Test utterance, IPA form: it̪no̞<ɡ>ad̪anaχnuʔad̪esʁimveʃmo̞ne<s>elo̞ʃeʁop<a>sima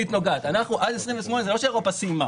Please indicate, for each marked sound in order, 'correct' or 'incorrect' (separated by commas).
correct, incorrect, correct